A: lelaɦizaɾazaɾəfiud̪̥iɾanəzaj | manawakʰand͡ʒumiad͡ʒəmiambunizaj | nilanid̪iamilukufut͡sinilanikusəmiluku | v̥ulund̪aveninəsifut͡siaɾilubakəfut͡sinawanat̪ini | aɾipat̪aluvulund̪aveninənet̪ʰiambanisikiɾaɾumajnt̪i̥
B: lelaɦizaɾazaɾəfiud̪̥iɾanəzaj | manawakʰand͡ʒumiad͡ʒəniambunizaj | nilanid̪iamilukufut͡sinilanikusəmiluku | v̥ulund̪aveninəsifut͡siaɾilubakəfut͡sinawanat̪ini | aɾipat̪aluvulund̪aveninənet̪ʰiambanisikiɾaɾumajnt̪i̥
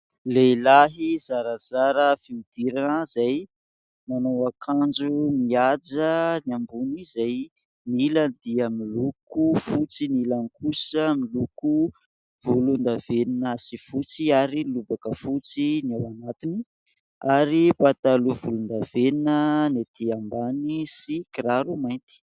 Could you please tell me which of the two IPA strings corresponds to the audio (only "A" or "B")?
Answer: B